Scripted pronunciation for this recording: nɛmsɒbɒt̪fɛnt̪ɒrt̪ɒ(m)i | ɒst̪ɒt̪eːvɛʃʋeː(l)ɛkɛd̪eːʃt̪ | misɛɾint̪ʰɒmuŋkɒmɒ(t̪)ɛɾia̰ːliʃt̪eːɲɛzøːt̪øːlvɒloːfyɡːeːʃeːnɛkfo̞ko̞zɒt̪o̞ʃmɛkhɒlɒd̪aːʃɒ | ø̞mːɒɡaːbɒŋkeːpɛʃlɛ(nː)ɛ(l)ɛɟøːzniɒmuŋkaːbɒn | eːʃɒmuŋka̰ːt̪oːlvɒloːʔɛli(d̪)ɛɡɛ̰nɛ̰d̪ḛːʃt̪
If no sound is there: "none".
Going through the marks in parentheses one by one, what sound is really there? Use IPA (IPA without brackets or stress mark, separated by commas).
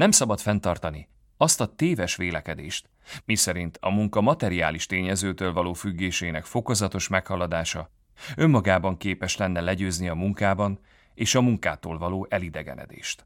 n, l, t̪, nː, l, d̪